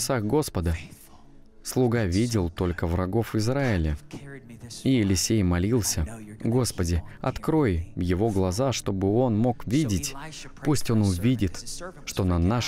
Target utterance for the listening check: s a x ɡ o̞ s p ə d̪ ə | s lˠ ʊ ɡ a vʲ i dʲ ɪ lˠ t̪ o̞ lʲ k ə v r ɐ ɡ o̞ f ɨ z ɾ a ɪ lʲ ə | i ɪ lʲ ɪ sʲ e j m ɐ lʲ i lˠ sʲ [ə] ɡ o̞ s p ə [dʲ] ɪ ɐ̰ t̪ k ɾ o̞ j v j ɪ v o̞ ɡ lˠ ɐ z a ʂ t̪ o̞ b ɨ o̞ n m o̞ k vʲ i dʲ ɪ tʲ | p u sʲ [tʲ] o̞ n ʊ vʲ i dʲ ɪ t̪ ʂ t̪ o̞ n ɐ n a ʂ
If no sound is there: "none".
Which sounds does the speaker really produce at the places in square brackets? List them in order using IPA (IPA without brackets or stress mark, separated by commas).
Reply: ə, dʲ, tʲ